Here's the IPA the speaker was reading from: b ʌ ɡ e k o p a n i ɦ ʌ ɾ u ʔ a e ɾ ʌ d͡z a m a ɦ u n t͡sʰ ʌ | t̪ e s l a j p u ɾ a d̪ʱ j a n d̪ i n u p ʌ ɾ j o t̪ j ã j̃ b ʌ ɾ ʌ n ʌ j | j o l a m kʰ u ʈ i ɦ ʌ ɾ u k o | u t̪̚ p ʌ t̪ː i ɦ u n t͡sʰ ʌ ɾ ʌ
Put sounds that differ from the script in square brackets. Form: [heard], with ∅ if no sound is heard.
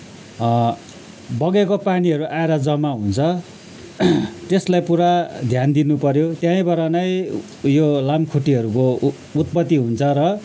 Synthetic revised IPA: b ʌ ɡ e k o p a n i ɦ ʌ ɾ u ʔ a e ɾ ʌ d͡z [ʌ] m a ɦ u n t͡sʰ ʌ | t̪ e s l a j p u ɾ a d̪ʱ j a n d̪ i n u p ʌ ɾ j o t̪ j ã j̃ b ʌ ɾ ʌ n ʌ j | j o l a m kʰ u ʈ i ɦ ʌ ɾ u k o | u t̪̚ p ʌ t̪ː i ɦ u n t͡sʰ ʌ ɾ ʌ